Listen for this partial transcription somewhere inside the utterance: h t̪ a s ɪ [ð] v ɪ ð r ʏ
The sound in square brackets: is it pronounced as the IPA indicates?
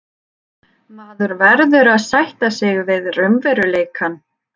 no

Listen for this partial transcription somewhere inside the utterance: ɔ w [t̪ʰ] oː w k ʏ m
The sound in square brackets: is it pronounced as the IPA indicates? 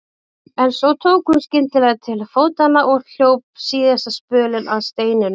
yes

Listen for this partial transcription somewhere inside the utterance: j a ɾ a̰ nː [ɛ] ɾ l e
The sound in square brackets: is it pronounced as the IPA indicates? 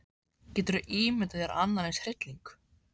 no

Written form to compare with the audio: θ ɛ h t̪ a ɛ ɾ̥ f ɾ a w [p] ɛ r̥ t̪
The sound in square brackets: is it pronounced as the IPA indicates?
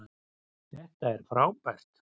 yes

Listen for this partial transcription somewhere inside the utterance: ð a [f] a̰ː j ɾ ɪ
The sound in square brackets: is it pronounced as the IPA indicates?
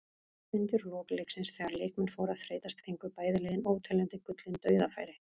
yes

